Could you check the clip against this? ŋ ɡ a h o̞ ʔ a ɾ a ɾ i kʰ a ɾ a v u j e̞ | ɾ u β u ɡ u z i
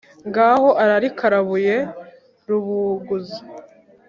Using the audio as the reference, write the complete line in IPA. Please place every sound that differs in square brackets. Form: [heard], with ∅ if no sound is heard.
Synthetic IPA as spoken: ŋ ɡ a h o̞ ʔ a ɾ a ɾ i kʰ a ɾ a [β] u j e̞ | ɾ u β u ɡ u z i